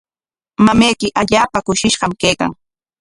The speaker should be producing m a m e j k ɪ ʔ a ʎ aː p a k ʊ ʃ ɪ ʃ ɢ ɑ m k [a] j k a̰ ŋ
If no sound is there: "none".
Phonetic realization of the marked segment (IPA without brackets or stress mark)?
e